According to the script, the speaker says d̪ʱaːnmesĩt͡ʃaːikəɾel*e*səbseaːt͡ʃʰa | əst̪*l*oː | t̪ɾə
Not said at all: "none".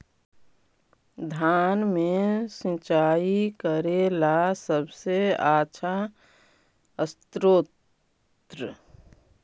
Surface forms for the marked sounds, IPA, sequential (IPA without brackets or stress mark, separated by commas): a, ɾ